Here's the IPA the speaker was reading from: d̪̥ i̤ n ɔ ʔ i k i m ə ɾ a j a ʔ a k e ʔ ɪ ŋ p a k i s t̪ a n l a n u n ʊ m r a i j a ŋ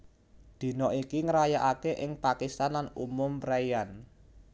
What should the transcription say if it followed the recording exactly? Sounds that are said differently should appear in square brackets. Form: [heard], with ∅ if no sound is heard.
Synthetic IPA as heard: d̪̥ i̤ n ɔ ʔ i k i [ŋ] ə ɾ a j a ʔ a k e ʔ ɪ ŋ p a k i s t̪ a n l a n u [m] ʊ m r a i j a [n]